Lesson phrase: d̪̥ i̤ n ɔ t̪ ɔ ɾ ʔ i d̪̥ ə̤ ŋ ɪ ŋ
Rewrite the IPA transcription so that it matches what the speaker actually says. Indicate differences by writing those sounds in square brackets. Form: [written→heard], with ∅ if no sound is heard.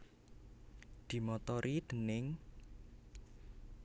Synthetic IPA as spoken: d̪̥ i̤ [n→m] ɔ t̪ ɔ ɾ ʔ i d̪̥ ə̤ [ŋ→n] ɪ ŋ